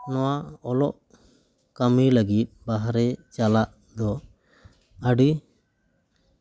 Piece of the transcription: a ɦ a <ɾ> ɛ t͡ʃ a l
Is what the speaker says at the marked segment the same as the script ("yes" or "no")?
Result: yes